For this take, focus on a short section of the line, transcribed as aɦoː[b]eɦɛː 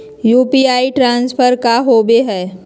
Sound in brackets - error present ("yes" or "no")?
no